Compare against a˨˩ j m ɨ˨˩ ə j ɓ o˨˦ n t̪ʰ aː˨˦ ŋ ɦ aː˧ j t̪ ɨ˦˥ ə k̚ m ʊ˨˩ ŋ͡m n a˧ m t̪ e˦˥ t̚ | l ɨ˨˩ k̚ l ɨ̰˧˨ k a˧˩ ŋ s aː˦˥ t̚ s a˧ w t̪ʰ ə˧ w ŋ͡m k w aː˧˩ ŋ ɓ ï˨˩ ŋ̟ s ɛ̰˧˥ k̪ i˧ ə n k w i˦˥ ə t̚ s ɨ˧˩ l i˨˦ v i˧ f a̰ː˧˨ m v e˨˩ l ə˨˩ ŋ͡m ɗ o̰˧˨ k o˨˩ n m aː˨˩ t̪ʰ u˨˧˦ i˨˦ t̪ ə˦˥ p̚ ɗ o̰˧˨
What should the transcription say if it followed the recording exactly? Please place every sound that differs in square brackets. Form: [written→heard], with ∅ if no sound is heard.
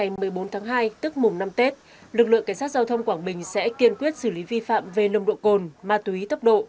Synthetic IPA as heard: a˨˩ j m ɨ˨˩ ə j ɓ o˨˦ n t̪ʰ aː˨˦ ŋ ɦ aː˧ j t̪ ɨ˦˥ ə k̚ m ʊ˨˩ ŋ͡m n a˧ m t̪ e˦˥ t̚ | l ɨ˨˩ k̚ l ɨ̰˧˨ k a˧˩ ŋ s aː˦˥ t̚ [s→z] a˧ w t̪ʰ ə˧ w ŋ͡m k w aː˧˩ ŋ ɓ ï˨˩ ŋ̟ s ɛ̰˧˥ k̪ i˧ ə n k w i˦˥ ə t̚ s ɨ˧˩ l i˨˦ v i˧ f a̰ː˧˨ m v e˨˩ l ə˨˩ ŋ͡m ɗ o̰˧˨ k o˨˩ n m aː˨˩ [t̪ʰ→t̪] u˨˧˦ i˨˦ t̪ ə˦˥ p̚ ɗ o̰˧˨